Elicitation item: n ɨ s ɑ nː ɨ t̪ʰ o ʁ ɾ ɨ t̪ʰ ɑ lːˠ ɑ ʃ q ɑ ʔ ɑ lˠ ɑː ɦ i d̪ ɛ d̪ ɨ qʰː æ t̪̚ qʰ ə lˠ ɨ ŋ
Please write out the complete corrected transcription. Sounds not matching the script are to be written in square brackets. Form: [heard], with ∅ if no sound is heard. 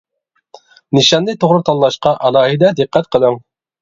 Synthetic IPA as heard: n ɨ [ʃ] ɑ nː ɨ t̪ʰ o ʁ ɾ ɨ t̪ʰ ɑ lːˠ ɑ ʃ q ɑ ʔ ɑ lˠ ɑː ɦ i d̪ ɛ d̪ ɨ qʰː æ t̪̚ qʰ ə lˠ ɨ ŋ